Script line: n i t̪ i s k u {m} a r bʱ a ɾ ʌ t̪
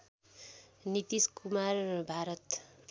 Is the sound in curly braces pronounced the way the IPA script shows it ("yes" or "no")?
yes